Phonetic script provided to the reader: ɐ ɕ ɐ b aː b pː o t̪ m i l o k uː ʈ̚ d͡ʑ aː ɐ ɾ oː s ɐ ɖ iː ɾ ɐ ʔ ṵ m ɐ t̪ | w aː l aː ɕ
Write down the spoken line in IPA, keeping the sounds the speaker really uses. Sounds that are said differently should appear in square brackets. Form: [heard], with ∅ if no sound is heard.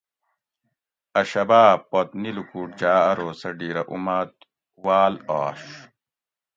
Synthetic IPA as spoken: ɐ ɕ ɐ b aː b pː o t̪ [n] i l [u] k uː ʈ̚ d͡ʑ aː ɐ ɾ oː s ɐ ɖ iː ɾ ɐ ʔ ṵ m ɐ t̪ | w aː l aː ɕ